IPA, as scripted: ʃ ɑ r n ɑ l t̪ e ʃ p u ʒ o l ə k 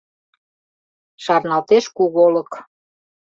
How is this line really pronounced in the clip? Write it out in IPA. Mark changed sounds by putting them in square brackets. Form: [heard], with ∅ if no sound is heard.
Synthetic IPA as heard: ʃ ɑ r n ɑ l t̪ e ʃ [k] u [ɣ] o l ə k